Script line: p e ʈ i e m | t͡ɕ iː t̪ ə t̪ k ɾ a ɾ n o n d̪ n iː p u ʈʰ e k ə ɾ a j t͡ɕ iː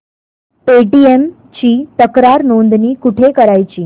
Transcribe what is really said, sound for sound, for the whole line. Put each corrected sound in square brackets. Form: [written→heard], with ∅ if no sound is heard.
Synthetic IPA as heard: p e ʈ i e m | t͡ɕ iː t̪ ə [t̪→∅] k ɾ a ɾ n o n d̪ n iː [p→k] u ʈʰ e k ə ɾ a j t͡ɕ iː